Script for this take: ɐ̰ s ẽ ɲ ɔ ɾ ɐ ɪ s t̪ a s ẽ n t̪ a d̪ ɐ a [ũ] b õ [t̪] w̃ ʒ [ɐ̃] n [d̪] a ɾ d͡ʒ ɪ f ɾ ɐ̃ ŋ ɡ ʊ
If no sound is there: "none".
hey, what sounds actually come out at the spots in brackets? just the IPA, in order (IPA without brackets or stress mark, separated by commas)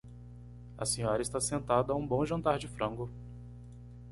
ũ, none, ɐ̃, t̪